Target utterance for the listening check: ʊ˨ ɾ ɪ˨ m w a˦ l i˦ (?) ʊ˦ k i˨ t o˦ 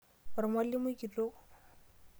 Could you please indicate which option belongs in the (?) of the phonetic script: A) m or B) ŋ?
A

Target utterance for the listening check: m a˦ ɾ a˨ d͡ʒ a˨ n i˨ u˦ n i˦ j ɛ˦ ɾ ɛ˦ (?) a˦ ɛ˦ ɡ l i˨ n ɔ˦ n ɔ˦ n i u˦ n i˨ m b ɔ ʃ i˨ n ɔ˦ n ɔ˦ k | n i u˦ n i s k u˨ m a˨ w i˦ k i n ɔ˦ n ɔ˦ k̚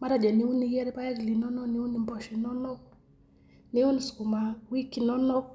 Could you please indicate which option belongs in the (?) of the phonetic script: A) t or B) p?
B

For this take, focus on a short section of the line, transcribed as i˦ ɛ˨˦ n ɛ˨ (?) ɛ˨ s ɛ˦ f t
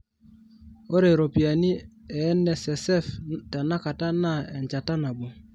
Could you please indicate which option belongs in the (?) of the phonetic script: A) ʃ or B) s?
B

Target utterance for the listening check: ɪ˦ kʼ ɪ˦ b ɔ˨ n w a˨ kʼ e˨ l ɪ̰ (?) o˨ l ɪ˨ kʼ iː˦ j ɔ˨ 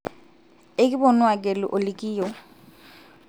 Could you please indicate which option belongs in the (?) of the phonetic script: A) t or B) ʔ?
B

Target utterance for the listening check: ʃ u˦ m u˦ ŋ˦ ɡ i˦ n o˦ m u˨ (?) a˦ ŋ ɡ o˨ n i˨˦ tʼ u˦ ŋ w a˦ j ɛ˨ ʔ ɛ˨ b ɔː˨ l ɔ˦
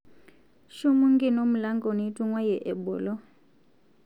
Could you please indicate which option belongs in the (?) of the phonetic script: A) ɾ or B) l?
B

